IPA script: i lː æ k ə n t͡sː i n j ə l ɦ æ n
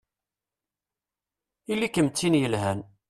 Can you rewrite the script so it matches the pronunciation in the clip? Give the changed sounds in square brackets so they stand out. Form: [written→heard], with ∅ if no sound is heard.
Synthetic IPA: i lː [æ→i] k ə [n→m] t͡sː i n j ə l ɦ æ n